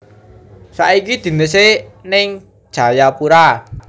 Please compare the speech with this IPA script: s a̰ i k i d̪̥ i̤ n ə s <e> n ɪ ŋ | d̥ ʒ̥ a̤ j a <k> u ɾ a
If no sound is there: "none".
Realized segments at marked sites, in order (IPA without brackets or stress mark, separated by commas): e, p